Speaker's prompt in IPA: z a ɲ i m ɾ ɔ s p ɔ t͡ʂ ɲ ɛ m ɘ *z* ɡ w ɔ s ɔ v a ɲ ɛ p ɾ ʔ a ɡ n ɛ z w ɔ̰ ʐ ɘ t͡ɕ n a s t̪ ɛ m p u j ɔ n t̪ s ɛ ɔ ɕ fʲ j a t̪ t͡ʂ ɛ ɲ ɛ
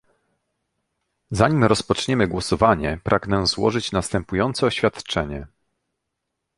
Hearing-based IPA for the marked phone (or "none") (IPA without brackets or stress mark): none